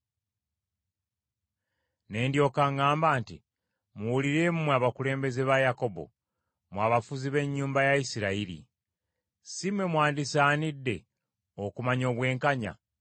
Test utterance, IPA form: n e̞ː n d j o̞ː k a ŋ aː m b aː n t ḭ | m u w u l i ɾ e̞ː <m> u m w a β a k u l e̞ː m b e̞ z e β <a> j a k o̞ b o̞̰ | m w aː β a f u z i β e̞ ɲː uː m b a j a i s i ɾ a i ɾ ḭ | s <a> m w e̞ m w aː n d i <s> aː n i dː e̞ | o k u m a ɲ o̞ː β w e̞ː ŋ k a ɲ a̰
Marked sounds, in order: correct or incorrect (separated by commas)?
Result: correct, correct, incorrect, correct